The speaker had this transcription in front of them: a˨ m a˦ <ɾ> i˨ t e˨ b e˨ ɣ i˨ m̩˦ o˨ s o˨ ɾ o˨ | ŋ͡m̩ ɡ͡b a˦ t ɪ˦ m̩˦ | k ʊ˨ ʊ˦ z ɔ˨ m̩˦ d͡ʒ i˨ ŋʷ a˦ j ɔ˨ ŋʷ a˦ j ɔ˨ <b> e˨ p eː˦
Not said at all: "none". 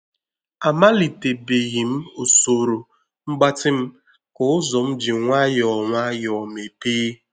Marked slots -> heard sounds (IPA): l, m

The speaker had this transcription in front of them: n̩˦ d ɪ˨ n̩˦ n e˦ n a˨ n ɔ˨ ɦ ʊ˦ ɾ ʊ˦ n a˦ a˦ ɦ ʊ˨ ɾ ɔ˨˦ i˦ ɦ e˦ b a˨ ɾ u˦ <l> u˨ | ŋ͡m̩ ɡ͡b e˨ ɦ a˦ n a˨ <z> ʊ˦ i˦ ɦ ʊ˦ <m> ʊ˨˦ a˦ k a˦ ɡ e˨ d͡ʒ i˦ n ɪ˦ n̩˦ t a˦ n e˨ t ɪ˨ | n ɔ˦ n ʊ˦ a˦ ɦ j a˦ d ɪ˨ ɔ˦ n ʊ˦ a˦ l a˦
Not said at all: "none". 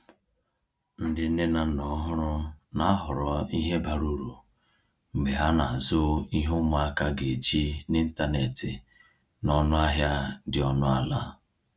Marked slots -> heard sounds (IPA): ɾ, z, m

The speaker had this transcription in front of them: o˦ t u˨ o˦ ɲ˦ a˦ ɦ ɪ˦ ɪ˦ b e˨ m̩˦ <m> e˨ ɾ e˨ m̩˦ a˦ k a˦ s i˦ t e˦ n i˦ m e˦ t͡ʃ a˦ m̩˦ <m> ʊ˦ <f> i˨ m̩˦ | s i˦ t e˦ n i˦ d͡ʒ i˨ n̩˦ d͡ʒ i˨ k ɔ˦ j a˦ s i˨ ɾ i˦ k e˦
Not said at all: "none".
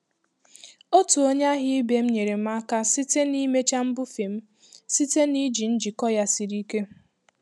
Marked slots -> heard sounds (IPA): ɲ, b, f

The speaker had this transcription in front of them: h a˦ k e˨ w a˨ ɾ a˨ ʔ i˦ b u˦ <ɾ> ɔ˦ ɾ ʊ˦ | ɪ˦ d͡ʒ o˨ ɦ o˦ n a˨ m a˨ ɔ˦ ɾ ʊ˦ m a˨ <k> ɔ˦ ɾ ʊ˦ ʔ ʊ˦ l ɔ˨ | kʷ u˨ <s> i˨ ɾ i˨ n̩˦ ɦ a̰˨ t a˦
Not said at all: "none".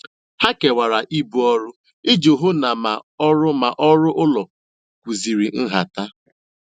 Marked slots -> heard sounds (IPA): none, ʔ, z

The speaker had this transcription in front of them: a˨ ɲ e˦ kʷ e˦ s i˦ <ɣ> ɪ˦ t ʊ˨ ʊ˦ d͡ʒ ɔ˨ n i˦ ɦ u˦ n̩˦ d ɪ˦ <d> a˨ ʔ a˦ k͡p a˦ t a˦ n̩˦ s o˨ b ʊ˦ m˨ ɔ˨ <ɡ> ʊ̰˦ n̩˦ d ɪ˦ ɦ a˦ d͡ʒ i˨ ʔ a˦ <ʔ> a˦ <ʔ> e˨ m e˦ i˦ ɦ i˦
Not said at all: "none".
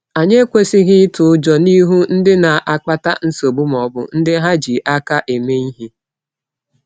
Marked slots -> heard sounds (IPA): ɣ, n, b, k, ʔ

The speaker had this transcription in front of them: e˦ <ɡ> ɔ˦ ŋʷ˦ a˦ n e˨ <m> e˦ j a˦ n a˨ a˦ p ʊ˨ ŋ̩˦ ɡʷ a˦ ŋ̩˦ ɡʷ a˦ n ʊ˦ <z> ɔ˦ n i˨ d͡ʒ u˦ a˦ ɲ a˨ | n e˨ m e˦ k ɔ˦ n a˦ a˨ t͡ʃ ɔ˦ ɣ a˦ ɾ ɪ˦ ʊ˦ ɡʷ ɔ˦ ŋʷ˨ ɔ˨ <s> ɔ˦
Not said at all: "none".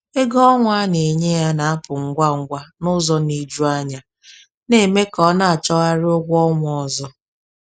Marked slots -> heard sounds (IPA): ɡ, ɲ, z, z

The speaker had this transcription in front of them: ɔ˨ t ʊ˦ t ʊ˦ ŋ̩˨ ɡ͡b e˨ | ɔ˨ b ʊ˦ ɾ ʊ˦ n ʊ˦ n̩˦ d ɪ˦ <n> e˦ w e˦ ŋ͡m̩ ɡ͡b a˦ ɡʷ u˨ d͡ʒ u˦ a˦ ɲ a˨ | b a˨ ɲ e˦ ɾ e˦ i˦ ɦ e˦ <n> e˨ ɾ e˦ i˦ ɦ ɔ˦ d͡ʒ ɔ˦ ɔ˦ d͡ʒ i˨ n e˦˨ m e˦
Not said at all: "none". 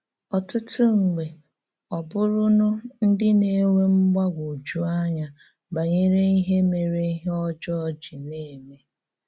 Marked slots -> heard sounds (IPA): n, m

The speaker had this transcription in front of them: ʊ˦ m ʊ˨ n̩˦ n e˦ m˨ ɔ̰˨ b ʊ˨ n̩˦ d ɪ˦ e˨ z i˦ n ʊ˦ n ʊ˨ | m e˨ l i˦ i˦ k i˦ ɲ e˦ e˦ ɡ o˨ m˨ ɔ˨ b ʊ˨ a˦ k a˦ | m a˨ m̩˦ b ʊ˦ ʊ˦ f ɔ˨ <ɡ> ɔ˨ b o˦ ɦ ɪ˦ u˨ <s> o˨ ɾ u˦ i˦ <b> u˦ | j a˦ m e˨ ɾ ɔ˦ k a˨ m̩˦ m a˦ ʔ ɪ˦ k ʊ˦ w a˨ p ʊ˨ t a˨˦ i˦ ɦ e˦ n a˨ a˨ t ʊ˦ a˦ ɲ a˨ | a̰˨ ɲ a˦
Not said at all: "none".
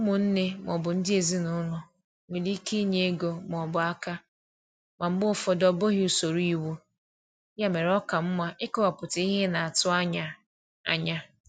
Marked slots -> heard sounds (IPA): d, s, w

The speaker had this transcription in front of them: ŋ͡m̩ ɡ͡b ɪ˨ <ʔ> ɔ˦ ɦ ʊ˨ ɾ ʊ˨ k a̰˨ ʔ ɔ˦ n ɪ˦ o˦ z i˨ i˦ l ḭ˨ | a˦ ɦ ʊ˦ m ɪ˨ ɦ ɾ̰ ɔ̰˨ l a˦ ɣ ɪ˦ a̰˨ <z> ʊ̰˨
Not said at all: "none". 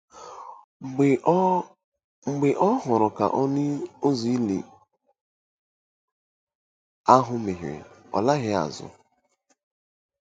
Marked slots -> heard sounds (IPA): ʔ, z

